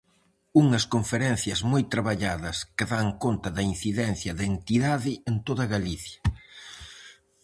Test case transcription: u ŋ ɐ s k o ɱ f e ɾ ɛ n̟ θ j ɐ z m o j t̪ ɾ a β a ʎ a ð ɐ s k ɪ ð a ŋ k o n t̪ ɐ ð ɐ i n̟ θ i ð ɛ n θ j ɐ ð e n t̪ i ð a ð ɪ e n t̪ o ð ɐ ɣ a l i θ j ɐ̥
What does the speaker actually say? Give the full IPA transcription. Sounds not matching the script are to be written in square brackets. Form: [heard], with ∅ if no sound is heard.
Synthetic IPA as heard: u ŋ ɐ s k o ɱ f e ɾ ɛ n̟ θ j ɐ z m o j t̪ ɾ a β a ʎ a ð ɐ s k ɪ ð a ŋ k o n t̪ ɐ ð ɐ i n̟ θ i ð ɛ n θ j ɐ ð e n t̪ i ð a ð ɪ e n t̪ o ð ɐ ɣ a l i θ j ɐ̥